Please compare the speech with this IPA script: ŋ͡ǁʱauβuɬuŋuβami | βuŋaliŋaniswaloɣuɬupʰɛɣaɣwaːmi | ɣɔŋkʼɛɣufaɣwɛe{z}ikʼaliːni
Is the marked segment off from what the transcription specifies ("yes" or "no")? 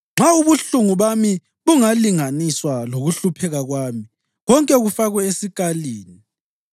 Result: yes